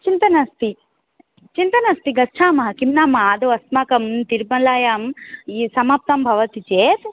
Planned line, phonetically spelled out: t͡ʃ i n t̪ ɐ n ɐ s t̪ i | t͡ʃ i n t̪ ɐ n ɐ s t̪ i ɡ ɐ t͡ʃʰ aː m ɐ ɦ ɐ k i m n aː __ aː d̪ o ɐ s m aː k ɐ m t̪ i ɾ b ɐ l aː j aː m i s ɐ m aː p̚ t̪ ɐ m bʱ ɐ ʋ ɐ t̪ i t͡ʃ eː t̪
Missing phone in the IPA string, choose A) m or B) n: A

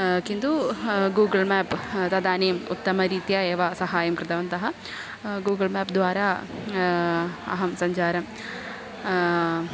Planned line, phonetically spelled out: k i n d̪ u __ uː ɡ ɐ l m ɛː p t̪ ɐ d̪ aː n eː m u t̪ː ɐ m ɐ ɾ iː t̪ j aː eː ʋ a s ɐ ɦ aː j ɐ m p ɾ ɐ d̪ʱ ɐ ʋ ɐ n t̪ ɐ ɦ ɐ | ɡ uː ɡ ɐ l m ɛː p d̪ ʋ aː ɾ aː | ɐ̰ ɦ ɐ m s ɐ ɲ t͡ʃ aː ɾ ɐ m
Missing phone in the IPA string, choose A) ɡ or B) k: A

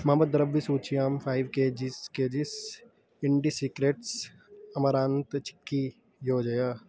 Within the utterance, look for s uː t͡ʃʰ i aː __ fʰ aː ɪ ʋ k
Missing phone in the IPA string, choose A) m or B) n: A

